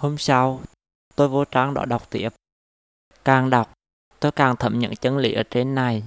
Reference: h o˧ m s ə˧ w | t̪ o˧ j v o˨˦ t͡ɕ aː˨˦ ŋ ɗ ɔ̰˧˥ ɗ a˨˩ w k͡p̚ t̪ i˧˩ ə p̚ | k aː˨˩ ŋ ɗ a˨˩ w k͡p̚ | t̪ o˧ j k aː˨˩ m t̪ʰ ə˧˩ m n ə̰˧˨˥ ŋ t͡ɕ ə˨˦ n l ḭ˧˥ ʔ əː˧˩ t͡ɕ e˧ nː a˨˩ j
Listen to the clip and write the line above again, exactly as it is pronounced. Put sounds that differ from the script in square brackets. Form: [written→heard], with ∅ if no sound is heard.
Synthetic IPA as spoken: h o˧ m s [ə˧→a˧] w | t̪ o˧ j v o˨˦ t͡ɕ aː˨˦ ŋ ɗ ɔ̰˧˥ ɗ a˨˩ w k͡p̚ t̪ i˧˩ ə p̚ | k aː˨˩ ŋ ɗ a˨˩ w k͡p̚ | t̪ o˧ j k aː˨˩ [m→ŋ] t̪ʰ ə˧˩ m [n→ɲ] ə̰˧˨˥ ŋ t͡ɕ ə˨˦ n l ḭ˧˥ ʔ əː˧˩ t͡ɕ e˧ nː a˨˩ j